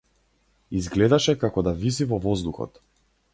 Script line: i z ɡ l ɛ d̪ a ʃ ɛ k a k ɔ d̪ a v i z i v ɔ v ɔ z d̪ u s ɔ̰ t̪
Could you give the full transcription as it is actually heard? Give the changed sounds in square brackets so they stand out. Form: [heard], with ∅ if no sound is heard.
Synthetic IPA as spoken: i z ɡ l ɛ d̪ a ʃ ɛ k a k ɔ d̪ a v i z i v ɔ v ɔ z d̪ u [x] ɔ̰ t̪